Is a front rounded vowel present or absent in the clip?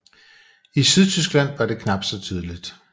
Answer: present